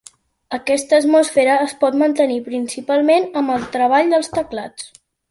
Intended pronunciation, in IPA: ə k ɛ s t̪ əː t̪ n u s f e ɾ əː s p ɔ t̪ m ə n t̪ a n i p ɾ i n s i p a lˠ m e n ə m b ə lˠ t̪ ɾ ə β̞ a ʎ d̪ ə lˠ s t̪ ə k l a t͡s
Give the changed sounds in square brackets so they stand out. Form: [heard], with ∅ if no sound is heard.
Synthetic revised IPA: ə k ɛ s t̪ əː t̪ [m] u s f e ɾ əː s p ɔ t̪ m ə n t̪ [ə] n i p ɾ i n s i p a lˠ m e n ə m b ə lˠ t̪ ɾ ə β̞ a ʎ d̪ ə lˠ s t̪ ə k l a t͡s